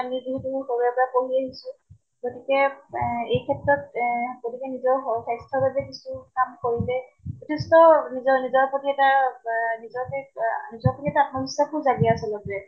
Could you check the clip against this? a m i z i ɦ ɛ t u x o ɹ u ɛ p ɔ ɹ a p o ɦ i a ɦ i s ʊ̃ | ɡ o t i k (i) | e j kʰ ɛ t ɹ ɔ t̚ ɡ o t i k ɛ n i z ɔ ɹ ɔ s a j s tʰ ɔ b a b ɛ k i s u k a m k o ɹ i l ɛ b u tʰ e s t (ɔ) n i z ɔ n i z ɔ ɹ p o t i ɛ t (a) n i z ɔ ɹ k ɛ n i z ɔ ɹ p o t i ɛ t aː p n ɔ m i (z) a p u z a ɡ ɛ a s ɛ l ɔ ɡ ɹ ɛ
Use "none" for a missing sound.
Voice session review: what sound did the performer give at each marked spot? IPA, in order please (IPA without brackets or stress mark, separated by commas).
ɛ, ɔ, a, s